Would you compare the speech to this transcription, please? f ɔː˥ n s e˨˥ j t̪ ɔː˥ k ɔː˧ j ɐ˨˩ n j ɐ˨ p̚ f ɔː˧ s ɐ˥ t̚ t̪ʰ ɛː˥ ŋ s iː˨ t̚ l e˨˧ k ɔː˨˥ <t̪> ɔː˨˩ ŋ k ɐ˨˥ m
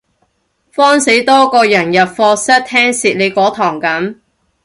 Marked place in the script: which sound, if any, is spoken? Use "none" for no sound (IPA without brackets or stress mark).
t̪ʰ